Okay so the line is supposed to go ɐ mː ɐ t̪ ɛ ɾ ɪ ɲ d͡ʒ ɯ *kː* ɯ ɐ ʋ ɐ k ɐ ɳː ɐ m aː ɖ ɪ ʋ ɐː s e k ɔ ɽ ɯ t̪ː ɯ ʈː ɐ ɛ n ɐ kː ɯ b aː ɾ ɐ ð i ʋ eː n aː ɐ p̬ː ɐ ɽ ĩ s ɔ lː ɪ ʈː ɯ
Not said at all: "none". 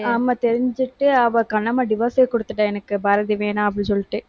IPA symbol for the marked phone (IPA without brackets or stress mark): ʈː